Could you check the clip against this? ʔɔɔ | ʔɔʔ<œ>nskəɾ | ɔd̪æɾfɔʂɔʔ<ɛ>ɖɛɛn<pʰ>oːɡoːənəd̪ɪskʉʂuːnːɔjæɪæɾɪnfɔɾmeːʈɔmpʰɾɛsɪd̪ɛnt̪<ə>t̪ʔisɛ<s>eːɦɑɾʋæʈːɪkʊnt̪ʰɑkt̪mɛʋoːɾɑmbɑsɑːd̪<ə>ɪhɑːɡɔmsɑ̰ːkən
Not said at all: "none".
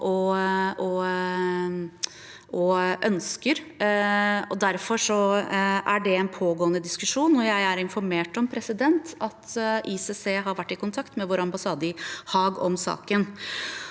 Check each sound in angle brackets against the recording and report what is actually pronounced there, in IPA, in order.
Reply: œ, æ, pʰ, ɑ, s, ə

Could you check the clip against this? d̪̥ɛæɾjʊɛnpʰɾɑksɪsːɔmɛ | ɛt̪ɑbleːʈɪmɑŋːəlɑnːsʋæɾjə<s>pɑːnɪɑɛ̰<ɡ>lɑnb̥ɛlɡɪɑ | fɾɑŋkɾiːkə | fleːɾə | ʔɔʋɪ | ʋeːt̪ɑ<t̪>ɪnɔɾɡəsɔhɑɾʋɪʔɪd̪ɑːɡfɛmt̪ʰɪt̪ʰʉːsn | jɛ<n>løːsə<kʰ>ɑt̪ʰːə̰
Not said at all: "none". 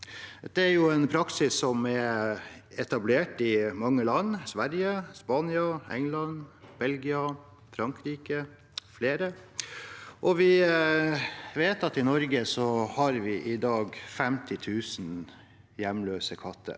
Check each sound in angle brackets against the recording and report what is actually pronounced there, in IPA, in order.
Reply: s, ŋ, t̪, m, kʰ

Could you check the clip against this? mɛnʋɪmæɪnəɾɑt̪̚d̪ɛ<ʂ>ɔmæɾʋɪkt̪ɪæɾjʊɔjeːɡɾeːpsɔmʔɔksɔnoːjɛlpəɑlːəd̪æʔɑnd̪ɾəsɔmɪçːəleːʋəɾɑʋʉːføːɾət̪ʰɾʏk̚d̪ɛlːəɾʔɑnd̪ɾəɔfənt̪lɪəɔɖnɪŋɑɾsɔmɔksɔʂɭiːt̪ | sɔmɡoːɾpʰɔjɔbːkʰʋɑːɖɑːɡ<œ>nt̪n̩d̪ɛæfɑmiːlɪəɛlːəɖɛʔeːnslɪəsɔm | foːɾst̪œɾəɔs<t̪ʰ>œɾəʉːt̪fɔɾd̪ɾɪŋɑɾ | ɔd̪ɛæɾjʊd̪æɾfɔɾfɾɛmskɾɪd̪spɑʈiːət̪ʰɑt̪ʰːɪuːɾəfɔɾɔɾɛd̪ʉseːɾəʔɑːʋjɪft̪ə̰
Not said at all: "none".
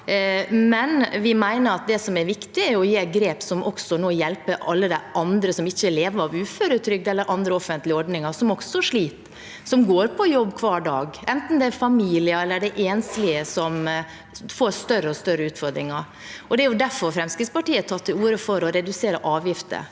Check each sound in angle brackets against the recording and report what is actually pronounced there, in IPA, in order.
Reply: s, ɛ, t̪

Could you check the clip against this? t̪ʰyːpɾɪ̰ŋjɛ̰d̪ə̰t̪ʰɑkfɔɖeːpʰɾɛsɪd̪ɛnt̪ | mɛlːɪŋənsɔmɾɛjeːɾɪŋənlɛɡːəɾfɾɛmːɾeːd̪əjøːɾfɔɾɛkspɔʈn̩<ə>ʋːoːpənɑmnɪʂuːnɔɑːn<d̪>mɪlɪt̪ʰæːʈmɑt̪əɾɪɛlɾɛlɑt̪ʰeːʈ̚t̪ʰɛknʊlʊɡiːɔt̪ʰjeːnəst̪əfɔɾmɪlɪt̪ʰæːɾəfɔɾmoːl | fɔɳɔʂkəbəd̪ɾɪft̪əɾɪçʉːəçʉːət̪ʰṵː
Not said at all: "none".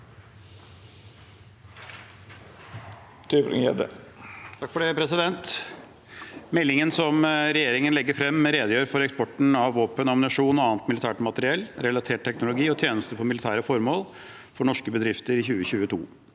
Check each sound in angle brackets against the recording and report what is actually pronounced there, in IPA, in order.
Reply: ɑ, t̪

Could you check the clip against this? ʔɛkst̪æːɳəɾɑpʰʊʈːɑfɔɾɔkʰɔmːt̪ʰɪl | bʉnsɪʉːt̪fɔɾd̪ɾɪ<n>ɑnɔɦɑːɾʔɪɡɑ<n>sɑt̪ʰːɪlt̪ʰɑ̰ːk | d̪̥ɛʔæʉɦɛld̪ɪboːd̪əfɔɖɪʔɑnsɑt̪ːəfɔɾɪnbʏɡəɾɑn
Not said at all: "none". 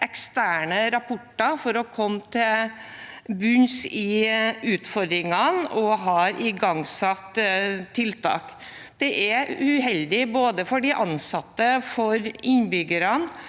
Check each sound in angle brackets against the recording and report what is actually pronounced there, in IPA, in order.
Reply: ŋ, ŋ

